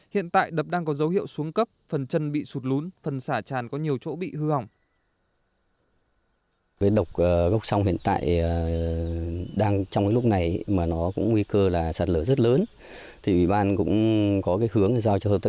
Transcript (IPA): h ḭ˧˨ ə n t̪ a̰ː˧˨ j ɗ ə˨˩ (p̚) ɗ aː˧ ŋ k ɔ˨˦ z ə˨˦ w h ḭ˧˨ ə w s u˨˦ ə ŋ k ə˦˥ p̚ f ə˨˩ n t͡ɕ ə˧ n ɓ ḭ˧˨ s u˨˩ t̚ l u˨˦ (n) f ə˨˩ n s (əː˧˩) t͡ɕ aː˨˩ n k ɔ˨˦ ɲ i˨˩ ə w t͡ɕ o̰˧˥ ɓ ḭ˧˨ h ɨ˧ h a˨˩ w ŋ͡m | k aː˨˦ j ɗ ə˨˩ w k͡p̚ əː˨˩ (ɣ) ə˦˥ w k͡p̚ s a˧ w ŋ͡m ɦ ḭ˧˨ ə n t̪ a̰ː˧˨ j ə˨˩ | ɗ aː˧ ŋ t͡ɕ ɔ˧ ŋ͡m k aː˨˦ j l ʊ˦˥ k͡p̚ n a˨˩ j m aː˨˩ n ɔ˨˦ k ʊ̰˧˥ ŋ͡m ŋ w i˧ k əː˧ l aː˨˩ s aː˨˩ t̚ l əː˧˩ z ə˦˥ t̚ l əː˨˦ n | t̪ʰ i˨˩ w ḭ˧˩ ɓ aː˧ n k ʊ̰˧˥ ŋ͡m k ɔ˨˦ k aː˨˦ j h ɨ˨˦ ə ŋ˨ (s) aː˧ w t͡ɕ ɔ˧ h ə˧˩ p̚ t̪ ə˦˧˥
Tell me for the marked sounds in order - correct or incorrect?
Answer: correct, correct, incorrect, correct, incorrect

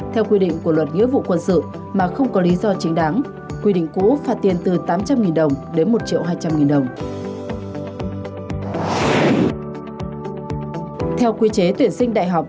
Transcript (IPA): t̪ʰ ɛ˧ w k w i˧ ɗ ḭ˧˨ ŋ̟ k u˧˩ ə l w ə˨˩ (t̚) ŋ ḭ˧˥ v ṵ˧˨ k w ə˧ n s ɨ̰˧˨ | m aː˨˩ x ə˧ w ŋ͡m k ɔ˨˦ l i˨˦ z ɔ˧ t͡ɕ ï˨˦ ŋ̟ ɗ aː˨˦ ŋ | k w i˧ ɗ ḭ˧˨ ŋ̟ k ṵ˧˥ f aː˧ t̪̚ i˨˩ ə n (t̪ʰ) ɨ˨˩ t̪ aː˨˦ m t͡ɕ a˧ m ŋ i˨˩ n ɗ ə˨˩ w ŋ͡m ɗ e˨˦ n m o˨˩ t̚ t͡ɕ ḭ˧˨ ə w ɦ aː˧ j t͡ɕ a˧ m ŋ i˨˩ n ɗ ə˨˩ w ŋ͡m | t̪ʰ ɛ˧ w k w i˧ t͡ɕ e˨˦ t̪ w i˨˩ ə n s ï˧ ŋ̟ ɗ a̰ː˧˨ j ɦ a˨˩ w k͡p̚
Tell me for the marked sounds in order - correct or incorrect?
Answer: correct, incorrect

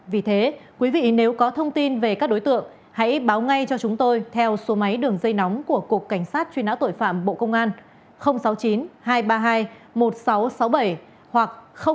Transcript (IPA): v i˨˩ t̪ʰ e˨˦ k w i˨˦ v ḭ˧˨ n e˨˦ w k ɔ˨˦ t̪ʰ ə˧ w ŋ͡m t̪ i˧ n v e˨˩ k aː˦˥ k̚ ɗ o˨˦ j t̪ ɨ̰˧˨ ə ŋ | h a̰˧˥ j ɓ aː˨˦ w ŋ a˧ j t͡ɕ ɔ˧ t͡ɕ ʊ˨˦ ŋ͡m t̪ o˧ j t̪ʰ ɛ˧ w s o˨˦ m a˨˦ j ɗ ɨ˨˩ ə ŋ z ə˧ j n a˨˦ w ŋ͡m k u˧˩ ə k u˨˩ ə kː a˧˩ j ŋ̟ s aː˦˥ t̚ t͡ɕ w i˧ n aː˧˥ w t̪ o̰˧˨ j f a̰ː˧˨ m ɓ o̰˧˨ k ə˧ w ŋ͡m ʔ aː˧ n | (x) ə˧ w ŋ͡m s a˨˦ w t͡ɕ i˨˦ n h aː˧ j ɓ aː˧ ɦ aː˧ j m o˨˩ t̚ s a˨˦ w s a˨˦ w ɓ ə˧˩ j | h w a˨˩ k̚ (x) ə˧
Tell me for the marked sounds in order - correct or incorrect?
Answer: correct, correct

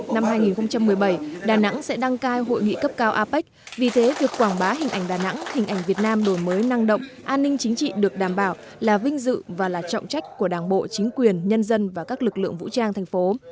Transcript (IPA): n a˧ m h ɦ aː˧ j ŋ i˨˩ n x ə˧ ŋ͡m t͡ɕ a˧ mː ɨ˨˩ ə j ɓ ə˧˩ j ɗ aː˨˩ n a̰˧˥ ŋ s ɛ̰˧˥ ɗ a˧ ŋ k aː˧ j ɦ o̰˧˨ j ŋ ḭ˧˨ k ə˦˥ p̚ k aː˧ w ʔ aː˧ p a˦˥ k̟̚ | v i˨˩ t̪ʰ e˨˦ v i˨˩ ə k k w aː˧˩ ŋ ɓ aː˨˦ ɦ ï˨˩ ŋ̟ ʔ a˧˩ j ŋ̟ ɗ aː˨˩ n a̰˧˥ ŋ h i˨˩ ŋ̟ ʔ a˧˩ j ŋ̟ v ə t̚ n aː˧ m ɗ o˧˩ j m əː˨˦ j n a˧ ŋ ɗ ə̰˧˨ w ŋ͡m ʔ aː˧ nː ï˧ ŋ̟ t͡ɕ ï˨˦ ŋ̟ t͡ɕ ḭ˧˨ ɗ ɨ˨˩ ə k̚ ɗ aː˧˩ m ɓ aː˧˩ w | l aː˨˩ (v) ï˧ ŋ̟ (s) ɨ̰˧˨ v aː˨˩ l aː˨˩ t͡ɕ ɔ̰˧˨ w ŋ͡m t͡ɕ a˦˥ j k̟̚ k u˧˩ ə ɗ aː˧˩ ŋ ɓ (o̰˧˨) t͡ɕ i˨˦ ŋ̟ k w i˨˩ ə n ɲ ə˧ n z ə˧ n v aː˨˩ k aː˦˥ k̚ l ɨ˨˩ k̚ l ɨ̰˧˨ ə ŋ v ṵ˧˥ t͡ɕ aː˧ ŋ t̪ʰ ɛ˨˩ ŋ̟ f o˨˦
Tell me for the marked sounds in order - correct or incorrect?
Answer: correct, incorrect, correct

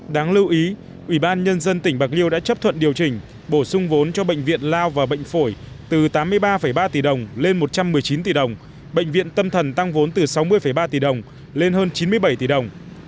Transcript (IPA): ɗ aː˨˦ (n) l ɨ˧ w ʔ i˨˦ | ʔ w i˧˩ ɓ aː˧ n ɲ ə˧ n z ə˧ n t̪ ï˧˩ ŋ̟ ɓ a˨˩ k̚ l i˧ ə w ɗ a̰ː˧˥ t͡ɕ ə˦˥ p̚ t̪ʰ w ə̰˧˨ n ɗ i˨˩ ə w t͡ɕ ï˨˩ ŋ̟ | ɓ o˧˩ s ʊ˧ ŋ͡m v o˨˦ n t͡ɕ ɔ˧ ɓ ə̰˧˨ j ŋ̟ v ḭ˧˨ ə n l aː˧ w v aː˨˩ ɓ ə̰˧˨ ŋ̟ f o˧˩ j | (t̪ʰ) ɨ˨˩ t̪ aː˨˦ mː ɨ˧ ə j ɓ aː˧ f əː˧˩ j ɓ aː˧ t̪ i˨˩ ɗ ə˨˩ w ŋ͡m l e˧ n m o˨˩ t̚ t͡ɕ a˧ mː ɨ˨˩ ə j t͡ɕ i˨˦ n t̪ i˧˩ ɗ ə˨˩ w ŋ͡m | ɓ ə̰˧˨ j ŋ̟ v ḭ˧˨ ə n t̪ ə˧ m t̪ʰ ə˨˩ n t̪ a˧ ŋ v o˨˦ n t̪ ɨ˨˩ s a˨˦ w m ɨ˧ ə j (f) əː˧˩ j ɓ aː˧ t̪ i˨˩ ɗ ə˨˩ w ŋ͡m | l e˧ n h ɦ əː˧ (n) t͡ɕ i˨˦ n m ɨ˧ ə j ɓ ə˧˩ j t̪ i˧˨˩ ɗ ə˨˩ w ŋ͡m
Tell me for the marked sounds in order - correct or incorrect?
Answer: incorrect, incorrect, correct, correct

